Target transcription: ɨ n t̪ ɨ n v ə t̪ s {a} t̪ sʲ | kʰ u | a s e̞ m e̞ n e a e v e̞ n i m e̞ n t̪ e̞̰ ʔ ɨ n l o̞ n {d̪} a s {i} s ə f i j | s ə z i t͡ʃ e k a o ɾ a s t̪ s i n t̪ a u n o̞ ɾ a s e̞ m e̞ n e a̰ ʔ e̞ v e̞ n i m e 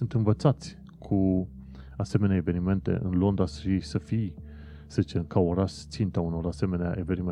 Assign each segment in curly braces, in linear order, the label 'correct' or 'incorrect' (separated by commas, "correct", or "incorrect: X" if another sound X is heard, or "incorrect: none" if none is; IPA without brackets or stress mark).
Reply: correct, correct, correct